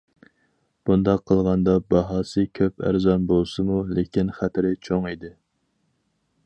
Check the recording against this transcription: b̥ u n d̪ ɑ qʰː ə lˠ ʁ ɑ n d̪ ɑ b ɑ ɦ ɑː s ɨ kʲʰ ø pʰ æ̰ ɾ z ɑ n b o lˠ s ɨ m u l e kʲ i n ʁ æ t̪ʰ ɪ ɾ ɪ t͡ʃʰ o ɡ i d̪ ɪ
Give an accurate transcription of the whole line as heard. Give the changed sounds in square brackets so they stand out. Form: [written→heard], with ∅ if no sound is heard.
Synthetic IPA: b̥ u n d̪ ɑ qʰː ə lˠ ʁ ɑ n d̪ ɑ b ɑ ɦ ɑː s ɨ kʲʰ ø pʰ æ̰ ɾ z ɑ n b o lˠ s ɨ m u l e kʲ i n [ʁ→χ] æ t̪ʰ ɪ ɾ ɪ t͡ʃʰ o [ɡ→ŋ] i d̪ ɪ